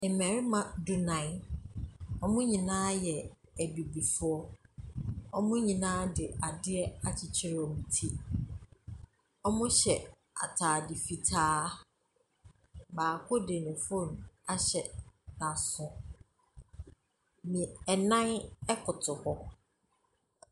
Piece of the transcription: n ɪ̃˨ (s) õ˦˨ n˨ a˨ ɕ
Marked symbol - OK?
no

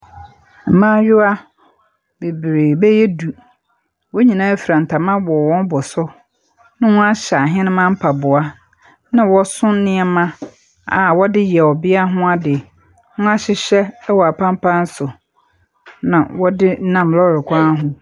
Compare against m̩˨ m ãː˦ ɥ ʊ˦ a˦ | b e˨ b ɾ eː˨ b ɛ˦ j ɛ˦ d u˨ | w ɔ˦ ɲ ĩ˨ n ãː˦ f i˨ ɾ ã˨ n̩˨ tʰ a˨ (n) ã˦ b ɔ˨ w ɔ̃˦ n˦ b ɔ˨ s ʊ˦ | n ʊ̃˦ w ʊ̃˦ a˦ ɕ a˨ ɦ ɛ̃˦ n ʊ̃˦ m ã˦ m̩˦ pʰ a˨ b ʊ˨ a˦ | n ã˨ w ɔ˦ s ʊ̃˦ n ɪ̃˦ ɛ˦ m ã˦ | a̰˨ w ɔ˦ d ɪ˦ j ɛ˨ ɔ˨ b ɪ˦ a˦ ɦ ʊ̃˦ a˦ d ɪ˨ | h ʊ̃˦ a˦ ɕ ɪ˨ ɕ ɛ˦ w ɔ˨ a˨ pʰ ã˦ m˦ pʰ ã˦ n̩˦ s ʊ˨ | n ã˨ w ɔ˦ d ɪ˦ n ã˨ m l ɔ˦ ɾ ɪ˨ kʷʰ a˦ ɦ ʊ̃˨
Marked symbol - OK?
no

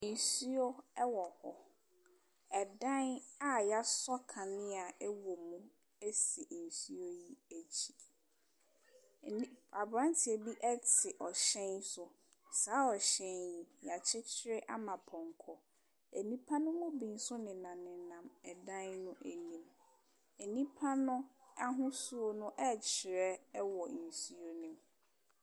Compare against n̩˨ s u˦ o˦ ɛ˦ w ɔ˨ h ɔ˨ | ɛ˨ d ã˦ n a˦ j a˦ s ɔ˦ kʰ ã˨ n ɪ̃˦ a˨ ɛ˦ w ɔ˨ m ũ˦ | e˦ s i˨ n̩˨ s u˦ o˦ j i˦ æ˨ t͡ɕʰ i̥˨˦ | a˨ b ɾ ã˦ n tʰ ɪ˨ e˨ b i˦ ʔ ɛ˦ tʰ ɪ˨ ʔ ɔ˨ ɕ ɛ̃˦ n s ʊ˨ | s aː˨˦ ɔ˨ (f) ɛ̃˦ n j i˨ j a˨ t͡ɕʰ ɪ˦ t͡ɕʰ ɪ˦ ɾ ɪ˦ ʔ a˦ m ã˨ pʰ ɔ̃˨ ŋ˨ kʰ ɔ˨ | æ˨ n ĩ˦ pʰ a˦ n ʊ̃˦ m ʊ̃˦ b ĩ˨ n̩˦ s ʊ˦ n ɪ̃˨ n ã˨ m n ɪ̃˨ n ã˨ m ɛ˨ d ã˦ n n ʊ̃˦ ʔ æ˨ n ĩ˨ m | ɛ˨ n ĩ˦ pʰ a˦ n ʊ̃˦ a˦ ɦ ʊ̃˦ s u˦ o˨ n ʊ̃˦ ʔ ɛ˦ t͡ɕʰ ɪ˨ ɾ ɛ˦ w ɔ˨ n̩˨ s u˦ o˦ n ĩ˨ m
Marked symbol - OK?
no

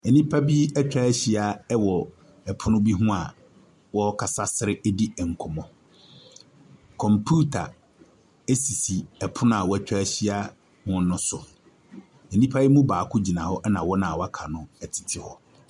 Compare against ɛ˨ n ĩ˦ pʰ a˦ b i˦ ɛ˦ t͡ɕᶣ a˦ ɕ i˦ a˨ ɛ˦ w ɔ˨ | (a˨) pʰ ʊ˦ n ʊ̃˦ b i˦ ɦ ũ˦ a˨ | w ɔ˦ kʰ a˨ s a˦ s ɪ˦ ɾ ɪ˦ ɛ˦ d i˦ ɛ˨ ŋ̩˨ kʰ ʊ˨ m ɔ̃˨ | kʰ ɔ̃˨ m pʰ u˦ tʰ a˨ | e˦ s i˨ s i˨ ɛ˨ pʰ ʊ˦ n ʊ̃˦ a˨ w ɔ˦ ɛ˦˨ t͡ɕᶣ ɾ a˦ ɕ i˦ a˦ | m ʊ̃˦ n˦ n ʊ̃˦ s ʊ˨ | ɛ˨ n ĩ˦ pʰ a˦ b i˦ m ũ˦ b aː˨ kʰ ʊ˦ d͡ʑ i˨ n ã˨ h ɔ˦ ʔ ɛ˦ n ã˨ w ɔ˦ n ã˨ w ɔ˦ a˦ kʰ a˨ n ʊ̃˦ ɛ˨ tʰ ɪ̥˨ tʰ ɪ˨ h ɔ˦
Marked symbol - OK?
no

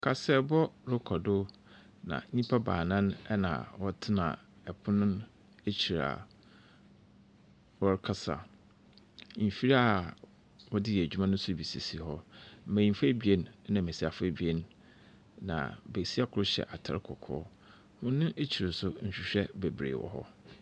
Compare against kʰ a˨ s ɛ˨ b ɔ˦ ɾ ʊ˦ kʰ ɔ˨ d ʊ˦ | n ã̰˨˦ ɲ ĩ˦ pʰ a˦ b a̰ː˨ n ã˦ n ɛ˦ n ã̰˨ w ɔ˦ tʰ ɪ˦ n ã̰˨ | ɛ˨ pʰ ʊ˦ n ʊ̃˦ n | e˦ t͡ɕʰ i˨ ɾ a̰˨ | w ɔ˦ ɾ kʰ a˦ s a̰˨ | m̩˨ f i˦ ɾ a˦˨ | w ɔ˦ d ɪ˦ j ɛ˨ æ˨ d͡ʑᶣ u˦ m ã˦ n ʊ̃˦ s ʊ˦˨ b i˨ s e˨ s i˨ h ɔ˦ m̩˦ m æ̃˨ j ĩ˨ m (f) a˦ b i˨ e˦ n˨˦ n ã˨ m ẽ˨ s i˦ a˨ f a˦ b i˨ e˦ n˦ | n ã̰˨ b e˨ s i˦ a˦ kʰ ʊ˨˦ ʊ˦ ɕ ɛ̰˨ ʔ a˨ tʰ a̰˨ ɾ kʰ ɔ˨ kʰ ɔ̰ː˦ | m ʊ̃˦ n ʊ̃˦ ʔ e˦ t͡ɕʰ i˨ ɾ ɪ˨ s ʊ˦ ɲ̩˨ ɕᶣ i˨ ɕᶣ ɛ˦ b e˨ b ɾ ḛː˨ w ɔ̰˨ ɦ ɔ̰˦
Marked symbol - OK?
yes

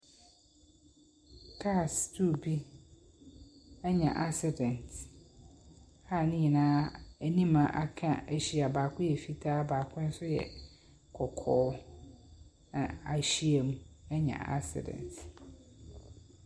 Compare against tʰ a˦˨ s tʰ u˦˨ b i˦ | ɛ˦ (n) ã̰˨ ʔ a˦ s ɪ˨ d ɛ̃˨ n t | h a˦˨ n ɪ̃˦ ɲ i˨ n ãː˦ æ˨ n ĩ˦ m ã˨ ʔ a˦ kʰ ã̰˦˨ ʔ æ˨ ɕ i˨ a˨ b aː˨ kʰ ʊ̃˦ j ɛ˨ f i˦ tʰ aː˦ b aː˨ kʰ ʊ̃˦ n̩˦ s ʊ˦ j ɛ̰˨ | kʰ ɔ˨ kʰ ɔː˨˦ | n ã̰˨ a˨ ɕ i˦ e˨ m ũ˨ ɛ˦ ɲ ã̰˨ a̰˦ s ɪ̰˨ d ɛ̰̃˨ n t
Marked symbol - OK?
no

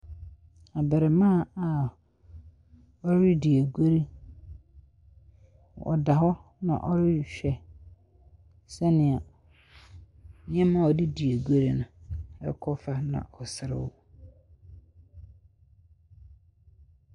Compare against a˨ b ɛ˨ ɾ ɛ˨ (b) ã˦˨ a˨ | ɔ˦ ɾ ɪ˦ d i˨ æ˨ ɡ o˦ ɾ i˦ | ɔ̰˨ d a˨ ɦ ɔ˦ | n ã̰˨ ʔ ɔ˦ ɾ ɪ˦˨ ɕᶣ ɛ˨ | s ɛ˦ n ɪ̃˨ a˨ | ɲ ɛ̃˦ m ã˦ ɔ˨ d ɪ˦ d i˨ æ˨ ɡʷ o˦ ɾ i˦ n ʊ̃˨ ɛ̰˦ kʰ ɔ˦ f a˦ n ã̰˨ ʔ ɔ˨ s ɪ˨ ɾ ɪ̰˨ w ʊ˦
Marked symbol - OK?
no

